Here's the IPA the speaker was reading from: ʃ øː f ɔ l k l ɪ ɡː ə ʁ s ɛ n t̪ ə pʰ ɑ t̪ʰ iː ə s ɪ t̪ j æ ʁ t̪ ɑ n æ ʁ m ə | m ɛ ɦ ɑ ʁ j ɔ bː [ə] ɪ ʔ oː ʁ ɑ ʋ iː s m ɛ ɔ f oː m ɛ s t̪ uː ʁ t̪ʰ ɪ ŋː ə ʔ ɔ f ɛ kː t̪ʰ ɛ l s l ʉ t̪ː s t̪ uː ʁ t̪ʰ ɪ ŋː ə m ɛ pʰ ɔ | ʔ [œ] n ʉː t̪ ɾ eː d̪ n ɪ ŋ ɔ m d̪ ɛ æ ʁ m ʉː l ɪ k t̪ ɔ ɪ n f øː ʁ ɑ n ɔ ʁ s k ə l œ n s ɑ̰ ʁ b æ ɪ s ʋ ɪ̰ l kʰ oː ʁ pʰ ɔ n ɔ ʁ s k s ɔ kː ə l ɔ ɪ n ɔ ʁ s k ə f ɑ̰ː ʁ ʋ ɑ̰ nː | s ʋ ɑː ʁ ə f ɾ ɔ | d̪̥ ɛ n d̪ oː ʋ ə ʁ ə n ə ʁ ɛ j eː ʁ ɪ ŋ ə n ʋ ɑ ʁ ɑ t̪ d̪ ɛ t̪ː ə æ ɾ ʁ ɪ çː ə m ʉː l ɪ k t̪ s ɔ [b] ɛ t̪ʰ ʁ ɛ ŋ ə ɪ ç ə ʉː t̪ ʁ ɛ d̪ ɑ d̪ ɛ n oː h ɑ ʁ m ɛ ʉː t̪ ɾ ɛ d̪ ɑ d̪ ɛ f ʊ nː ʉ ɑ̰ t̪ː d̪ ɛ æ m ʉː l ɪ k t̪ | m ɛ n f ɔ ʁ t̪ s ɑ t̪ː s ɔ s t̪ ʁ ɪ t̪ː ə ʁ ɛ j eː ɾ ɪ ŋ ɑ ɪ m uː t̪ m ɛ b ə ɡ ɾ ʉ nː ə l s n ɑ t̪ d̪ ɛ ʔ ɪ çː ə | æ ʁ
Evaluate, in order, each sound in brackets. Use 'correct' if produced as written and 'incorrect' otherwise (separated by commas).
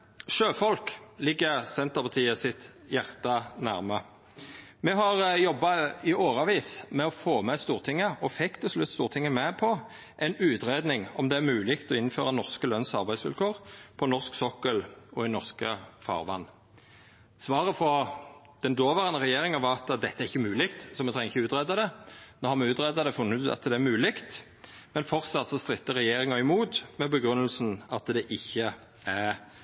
incorrect, incorrect, incorrect